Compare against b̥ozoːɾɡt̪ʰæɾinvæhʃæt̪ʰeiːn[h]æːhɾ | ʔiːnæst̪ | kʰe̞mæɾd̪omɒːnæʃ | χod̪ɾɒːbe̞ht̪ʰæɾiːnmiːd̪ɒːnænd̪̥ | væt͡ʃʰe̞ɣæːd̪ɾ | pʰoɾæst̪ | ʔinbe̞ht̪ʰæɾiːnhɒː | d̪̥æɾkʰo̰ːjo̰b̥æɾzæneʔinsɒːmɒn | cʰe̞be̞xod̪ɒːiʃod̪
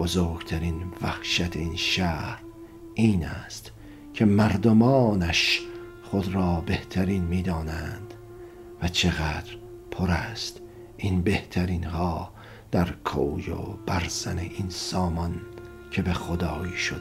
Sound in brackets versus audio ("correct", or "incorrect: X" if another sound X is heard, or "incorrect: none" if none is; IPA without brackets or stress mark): incorrect: ʃ